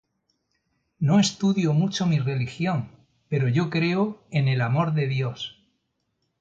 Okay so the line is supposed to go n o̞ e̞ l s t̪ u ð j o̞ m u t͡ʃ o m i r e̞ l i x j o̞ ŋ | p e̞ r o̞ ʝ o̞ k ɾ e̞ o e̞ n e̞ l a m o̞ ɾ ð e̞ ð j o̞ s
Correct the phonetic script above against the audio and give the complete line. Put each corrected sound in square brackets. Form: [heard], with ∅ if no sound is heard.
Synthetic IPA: n o̞ e̞ [∅] s t̪ u ð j o̞ m u t͡ʃ o m i r e̞ l i x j o̞ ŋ | p e̞ [ɾ] o̞ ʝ o̞ k ɾ e̞ o e̞ n e̞ l a m o̞ ɾ ð e̞ ð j o̞ s